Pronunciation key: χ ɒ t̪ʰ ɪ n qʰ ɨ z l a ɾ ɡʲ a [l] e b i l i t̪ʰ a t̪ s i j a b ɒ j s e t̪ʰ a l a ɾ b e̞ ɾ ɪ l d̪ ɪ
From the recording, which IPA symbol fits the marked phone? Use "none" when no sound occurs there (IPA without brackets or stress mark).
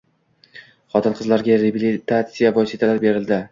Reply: ɾ